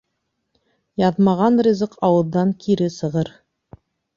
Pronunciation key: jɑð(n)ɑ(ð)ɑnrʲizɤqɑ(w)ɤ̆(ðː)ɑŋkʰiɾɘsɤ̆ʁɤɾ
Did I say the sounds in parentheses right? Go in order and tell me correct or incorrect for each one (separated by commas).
incorrect, incorrect, correct, correct